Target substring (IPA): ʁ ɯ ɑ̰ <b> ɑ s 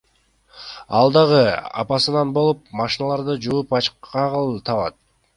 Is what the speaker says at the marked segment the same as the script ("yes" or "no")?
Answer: no